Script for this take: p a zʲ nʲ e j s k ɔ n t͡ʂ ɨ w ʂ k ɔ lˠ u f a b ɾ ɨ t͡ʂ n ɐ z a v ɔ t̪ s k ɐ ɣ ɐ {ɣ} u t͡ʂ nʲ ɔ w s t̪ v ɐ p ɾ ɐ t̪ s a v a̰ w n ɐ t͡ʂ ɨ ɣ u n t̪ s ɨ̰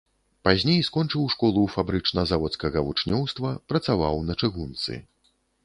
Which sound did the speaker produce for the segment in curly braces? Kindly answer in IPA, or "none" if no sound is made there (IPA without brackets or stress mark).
v